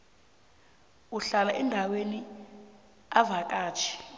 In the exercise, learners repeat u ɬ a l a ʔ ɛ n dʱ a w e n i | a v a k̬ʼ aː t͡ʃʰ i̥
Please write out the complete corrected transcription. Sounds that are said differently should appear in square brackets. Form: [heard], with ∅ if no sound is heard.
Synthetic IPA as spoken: u ɬ a l a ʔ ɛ n dʱ a w e n i | a v a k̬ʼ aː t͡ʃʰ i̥

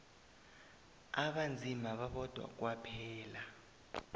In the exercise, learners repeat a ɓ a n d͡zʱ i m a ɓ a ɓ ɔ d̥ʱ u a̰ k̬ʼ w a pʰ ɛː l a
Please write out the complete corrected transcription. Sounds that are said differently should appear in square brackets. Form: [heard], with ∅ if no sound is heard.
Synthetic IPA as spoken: a ɓ a n d͡zʱ i m a ɓ a ɓ ɔ d̥ʱ [w] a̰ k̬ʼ w a pʰ ɛː l a

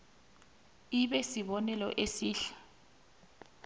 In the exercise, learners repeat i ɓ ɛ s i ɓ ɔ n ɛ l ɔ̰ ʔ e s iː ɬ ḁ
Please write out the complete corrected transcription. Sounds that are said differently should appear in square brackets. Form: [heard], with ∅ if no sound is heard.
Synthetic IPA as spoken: i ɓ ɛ s i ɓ ɔ n ɛ l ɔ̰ ʔ e s iː ɬ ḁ

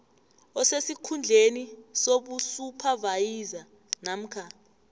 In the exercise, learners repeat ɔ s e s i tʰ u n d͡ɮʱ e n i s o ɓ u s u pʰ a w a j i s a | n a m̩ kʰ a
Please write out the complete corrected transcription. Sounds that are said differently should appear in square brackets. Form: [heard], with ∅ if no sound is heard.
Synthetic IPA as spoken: ɔ s e s i [kʰ] u n d͡ɮʱ e n i s o ɓ u s u pʰ a [v] a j i [z] a | n a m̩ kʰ a

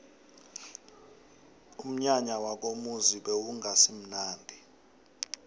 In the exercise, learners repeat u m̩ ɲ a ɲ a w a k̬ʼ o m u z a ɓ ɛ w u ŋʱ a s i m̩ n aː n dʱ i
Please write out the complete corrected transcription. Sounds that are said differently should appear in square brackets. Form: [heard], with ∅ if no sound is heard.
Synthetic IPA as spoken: u m̩ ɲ a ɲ a w a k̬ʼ o m u z [i] ɓ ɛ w u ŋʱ a s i m̩ n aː n dʱ i

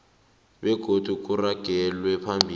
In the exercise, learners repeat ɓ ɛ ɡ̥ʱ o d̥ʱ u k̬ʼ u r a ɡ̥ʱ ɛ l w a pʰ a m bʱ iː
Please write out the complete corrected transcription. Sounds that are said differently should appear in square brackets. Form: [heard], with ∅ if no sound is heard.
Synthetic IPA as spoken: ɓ ɛ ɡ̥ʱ o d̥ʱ u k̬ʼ u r a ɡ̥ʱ ɛ l w [ɛ] pʰ a m bʱ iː

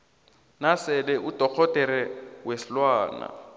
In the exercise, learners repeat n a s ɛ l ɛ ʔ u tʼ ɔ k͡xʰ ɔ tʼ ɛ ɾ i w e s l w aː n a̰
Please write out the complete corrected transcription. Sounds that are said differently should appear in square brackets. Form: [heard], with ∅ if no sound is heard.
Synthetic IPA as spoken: n a s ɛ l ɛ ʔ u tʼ ɔ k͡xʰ ɔ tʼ ɛ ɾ [ɛ] w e s l w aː n a̰

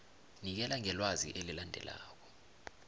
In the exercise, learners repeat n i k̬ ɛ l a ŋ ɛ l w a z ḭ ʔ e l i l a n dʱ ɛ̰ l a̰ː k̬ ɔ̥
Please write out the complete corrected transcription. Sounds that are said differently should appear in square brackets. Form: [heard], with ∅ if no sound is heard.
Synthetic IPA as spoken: n i k̬ ɛ l a ŋ ɛ l w a z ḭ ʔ e l i l a n dʱ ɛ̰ l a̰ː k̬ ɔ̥

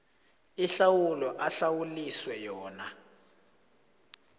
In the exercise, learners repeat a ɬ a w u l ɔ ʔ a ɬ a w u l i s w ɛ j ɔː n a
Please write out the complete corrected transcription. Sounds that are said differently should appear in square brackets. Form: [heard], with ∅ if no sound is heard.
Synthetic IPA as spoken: [i] ɬ a w u l ɔ ʔ a ɬ a w u l i s w ɛ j ɔː n a

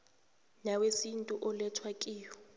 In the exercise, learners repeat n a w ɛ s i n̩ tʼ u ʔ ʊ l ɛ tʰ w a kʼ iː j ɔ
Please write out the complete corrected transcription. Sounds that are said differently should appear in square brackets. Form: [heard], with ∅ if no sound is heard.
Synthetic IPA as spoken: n a w [e] s i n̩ tʼ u ʔ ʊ l ɛ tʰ w a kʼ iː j ɔ

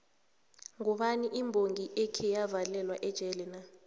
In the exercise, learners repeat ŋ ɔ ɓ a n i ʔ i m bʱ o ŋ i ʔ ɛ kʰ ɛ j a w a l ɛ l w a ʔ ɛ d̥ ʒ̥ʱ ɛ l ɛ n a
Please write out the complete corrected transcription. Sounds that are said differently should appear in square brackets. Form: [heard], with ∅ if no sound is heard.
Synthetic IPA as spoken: ŋ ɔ ɓ a n i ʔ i m bʱ o ŋ i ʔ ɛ kʰ ɛ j a [v] a l ɛ l w a ʔ ɛ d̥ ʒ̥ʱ ɛ l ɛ n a

